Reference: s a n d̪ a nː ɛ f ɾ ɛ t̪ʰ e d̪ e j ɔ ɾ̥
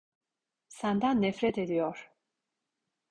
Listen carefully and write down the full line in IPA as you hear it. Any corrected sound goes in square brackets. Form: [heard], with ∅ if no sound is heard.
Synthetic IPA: s a n d̪ a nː ɛ f ɾ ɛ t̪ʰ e d̪ [i] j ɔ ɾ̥